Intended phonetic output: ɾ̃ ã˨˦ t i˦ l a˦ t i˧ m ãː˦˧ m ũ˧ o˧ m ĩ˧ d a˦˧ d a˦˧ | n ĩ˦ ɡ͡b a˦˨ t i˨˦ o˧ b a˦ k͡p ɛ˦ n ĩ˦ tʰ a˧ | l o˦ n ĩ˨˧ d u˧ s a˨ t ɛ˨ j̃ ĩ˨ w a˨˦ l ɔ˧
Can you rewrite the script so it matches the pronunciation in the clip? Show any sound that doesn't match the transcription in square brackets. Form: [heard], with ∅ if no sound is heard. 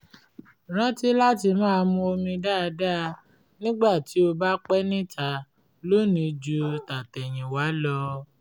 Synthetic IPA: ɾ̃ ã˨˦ t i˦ l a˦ t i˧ m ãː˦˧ m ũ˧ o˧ m ĩ˧ d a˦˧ d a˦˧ | n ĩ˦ ɡ͡b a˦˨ t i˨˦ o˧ b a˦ k͡p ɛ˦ n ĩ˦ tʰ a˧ | l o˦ n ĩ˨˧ [d͡ʒ] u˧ [t] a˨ t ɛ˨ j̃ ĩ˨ w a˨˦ l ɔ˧